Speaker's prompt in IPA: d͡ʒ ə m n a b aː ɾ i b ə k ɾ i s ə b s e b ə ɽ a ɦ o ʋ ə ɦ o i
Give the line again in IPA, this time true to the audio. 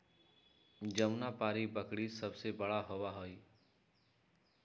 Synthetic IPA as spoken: d͡ʒ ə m n a p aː ɾ i b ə k ɽ i s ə b s e b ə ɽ a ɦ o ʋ a ɦ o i